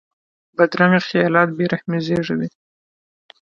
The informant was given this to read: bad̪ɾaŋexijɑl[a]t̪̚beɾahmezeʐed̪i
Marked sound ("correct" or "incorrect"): incorrect